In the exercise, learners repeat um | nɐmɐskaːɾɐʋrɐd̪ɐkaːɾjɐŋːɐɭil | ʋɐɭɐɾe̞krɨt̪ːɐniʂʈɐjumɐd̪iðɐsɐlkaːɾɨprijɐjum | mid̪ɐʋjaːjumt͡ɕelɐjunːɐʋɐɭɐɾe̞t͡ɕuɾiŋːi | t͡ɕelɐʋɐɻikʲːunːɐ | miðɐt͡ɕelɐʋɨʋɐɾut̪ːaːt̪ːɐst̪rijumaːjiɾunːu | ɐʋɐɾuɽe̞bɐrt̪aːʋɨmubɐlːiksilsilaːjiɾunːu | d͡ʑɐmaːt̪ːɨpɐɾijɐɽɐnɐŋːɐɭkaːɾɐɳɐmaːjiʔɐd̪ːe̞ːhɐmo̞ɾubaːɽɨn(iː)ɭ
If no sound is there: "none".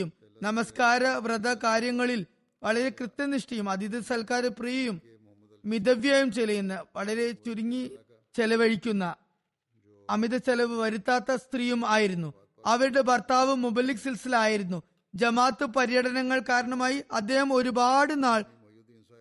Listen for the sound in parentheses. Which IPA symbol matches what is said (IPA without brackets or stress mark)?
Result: aː